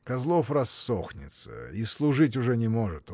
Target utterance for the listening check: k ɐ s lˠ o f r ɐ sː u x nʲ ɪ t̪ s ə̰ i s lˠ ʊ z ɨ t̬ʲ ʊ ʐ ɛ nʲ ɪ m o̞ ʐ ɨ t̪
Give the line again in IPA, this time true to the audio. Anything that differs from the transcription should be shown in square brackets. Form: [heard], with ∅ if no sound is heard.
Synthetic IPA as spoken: k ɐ [z] lˠ o f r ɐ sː [o] x nʲ ɪ t̪ s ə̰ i s lˠ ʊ [ʐ] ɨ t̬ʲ ʊ ʐ ɛ nʲ ɪ m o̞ ʐ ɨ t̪